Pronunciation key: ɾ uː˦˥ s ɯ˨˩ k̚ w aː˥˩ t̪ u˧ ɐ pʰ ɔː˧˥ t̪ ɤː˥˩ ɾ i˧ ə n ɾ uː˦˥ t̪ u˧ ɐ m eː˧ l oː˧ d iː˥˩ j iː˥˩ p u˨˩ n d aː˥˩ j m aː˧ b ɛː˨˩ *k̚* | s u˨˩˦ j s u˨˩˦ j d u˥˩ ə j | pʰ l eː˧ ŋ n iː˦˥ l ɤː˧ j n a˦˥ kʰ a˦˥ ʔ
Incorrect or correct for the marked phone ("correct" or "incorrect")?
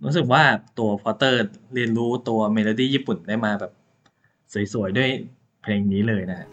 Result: incorrect